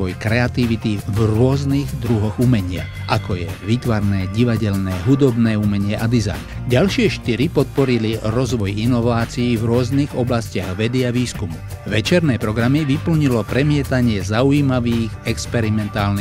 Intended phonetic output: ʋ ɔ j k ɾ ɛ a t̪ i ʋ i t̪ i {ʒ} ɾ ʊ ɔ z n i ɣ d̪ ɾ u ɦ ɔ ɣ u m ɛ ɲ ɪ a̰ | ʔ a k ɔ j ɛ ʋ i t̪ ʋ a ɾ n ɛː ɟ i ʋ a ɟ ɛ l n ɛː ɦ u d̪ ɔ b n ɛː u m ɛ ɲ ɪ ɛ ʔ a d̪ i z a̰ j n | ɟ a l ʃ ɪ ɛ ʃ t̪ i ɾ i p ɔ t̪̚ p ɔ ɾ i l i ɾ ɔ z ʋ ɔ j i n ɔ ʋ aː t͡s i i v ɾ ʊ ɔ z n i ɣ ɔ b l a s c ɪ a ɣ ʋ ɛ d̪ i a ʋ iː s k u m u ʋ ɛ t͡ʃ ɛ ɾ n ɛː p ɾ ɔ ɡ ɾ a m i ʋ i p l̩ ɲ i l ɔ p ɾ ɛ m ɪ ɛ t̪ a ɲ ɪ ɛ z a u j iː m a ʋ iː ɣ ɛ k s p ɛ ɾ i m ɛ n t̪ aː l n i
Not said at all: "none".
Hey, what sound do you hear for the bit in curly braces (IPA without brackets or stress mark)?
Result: v